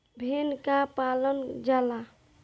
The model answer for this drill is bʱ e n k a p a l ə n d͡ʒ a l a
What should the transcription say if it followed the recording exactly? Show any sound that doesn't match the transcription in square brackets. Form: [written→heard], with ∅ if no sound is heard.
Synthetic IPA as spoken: bʱ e n k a p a l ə n d͡ʒ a l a